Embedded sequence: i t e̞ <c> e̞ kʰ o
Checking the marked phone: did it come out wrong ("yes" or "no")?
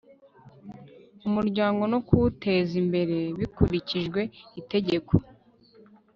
yes